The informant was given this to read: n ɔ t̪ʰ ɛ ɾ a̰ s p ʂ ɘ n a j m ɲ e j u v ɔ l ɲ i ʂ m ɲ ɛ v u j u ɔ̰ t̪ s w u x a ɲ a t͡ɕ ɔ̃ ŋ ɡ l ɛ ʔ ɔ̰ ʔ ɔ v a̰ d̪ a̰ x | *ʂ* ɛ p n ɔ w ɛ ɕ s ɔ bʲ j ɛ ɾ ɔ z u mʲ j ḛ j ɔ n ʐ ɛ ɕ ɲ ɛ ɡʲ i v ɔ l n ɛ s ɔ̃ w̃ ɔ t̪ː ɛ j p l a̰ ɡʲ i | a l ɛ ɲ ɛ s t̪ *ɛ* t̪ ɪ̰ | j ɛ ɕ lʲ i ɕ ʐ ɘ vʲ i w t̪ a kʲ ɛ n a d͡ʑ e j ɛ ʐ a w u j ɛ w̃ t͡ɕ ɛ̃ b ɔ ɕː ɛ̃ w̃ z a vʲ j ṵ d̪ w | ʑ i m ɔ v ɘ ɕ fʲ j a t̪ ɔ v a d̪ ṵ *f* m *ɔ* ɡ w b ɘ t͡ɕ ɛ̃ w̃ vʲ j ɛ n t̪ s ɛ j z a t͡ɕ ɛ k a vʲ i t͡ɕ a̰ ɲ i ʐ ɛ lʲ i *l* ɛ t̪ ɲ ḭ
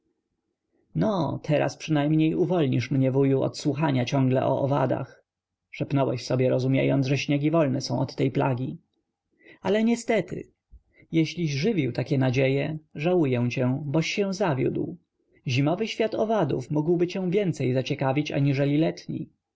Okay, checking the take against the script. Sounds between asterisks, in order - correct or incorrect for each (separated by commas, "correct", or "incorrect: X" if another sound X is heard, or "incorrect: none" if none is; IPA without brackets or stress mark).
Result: correct, correct, correct, incorrect: u, correct